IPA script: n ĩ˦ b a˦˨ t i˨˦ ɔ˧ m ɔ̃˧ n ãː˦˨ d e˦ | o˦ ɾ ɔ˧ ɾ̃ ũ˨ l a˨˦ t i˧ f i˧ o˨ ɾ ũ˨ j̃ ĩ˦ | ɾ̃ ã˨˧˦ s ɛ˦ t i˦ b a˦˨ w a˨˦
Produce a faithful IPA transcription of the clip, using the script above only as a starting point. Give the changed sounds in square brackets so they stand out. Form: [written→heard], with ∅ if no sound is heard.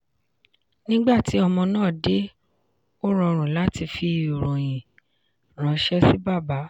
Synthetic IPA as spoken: n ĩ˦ [b→ɡ͡b] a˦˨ t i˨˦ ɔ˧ m ɔ̃˧ n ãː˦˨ d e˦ | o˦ ɾ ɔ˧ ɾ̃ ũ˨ l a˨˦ t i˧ f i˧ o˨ ɾ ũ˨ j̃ [ĩ˦→ĩ˨] | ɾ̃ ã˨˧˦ [s→ʃ] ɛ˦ [t→s] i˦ b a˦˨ [w→b] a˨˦